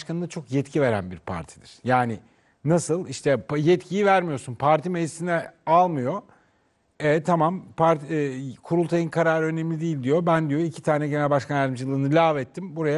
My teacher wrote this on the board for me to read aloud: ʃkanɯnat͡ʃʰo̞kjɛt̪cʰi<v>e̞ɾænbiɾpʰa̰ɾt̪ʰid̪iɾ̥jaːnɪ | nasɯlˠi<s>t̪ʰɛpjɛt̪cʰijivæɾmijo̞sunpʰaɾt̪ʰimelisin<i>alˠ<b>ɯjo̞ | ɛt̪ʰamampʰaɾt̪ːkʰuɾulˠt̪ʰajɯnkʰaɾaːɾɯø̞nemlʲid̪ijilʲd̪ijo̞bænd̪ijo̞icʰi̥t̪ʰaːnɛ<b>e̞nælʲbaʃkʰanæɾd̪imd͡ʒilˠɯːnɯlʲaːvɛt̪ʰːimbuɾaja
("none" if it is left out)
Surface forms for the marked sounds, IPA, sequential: v, ʃ, ɛ, m, ɟ

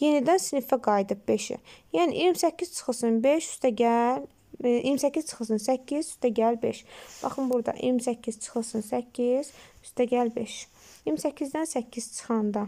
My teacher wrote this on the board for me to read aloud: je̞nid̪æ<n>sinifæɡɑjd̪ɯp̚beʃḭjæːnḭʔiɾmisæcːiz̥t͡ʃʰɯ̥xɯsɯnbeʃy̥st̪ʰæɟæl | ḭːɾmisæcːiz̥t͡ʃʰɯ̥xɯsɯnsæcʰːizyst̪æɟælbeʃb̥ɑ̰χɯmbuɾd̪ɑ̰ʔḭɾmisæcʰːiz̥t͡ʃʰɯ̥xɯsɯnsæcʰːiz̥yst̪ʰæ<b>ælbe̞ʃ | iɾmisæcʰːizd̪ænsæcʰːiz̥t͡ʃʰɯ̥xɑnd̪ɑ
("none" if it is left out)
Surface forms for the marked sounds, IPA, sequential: n, ɟ

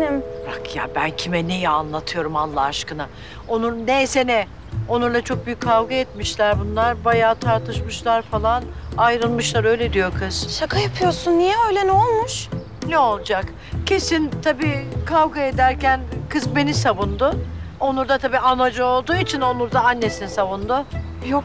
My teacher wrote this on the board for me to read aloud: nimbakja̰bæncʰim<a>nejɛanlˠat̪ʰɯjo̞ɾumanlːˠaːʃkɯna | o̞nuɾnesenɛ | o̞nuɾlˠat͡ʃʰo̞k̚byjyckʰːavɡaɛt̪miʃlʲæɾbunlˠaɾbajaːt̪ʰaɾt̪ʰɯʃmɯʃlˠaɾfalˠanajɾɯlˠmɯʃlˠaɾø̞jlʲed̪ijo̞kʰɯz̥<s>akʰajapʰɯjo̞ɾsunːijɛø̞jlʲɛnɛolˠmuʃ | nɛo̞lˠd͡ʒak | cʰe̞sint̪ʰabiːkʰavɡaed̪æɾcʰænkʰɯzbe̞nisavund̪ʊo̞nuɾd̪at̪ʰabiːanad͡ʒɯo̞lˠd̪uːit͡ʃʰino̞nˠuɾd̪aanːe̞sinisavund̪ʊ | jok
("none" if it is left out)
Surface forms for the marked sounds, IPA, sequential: ɛ, ʃ

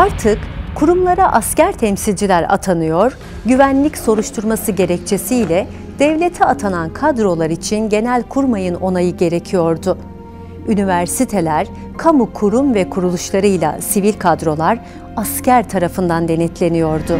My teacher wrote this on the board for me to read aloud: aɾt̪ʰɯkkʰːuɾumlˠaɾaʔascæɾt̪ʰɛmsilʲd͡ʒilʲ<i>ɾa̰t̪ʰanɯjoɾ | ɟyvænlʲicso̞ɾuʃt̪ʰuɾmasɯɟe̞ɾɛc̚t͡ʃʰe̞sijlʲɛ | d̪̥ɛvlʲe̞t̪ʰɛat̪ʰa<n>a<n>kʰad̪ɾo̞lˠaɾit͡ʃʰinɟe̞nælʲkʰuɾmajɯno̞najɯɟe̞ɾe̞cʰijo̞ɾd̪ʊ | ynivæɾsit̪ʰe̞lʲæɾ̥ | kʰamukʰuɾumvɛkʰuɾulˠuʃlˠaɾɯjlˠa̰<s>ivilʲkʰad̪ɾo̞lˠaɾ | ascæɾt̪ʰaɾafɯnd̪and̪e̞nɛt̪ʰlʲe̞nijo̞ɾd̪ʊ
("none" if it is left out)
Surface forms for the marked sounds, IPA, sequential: æ, n, n, s

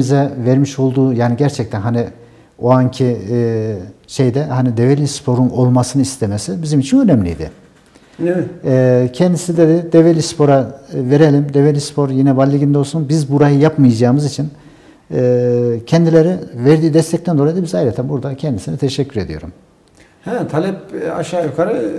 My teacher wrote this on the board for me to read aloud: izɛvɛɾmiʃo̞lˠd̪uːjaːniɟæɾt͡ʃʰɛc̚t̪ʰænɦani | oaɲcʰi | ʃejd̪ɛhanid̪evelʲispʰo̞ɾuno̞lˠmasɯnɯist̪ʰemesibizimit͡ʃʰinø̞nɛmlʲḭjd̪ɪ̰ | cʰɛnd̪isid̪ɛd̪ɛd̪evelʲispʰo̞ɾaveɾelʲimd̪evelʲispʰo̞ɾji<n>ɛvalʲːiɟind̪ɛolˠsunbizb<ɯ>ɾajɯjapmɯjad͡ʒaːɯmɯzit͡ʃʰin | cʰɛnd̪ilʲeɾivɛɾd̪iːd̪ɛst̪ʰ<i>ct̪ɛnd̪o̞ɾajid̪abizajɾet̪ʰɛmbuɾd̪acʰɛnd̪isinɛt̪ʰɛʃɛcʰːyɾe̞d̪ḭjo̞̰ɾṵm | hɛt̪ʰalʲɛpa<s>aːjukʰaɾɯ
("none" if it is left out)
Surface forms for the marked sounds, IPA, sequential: n, u, ɛ, ʃ

